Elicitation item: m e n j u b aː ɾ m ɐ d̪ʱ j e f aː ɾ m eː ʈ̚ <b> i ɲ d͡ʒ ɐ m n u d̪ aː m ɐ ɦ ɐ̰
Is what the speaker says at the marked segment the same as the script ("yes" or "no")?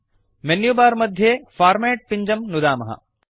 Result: no